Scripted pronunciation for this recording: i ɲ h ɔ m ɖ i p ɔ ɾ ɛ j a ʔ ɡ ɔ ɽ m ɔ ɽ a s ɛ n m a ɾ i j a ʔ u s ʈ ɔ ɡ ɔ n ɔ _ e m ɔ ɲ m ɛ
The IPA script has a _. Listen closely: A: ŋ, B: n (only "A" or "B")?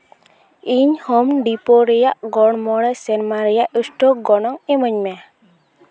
A